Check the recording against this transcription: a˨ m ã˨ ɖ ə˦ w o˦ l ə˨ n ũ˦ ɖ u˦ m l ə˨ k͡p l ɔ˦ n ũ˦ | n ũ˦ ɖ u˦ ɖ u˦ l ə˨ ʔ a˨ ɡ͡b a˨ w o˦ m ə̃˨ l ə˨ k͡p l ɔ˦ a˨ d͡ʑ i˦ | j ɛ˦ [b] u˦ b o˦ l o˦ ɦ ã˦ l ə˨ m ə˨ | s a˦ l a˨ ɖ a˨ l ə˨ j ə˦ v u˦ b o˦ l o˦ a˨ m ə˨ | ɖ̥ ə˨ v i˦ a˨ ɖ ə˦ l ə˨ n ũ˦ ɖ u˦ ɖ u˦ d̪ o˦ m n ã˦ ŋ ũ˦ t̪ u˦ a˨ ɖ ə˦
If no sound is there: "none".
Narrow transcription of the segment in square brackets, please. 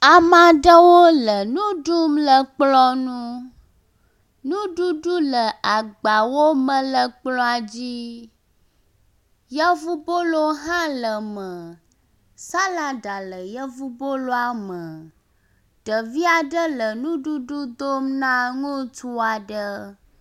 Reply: v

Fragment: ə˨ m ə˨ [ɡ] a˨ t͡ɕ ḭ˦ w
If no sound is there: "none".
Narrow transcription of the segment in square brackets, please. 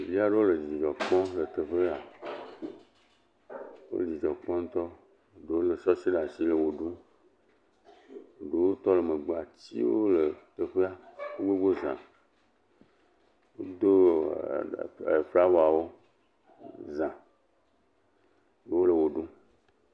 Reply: ɡ͡b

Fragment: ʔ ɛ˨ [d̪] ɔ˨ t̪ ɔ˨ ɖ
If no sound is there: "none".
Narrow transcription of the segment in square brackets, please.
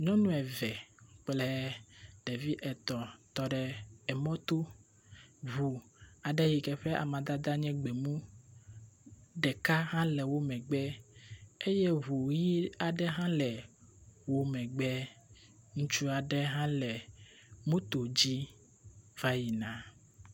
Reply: t̪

